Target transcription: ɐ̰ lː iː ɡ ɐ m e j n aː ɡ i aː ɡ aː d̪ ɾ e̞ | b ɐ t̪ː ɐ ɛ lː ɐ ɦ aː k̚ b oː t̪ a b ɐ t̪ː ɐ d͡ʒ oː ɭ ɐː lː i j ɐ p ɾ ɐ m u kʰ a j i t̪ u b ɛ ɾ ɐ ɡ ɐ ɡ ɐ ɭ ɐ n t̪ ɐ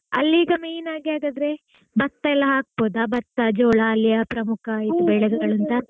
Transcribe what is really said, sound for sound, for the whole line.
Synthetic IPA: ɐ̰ lː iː ɡ ɐ m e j n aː ɡ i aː ɡ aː d̪ ɾ e̞ | b ɐ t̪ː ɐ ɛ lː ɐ ɦ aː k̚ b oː d̪ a b ɐ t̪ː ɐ d͡ʒ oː ɭ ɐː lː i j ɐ p ɾ ɐ m u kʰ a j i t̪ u b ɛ ɭ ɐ ɡ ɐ ɡ ɐ ɭ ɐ n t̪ ɐ